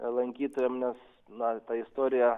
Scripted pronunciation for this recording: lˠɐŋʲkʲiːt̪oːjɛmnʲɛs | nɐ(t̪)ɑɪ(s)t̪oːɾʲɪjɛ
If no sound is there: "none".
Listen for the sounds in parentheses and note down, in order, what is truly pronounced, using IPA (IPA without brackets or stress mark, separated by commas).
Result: t̪, s